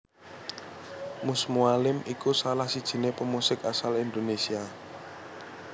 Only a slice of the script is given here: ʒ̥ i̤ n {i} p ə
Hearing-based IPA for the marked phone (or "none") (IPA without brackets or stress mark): e